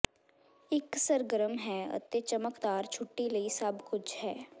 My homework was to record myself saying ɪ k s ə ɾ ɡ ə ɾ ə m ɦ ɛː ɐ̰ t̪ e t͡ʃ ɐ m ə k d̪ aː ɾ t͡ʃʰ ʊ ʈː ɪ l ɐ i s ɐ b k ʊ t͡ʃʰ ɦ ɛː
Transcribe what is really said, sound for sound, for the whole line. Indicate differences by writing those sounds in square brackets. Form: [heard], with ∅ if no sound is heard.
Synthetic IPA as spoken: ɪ k s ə ɾ ɡ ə ɾ ə m ɦ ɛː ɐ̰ t̪ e t͡ʃ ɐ m ə k d̪ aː ɾ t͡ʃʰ ʊ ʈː [i] l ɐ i s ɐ b k ʊ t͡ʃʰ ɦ ɛː